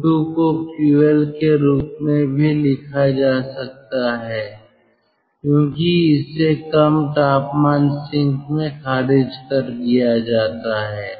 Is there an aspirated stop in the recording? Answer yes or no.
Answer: yes